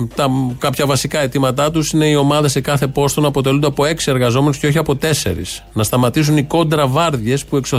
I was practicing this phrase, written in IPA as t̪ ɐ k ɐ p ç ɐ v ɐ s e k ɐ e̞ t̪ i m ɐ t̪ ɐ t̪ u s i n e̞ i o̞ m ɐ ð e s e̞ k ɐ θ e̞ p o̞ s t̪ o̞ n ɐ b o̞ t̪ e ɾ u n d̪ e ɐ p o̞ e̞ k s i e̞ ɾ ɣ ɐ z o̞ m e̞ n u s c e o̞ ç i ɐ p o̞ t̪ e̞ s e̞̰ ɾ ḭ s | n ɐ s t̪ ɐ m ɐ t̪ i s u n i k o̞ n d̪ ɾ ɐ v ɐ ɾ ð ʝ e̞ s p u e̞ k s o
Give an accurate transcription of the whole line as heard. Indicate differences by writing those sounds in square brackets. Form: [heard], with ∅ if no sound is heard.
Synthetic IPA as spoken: t̪ ɐ k ɐ p ç ɐ v ɐ s [i] k ɐ e̞ t̪ i m ɐ t̪ ɐ t̪ u s i n e̞ i o̞ m ɐ ð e s e̞ k ɐ θ e̞ p o̞ s t̪ o̞ n ɐ [p] o̞ t̪ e [l] u n d̪ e ɐ p o̞ e̞ k s i e̞ ɾ ɣ ɐ z o̞ m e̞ n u s c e o̞ ç i ɐ p o̞ t̪ e̞ s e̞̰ ɾ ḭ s | n ɐ s t̪ ɐ m ɐ t̪ i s u n i k o̞ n d̪ ɾ ɐ v ɐ ɾ ð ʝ e̞ s p u e̞ k s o